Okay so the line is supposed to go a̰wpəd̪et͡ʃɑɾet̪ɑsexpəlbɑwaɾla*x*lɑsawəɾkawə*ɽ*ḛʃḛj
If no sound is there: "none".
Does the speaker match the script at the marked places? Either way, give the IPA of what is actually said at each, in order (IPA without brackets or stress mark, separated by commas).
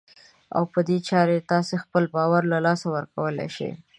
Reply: none, l